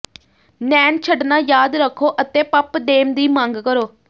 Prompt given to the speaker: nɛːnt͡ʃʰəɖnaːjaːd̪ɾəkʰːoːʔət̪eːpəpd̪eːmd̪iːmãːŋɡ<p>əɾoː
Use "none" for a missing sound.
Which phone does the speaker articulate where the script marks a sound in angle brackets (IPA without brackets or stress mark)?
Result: k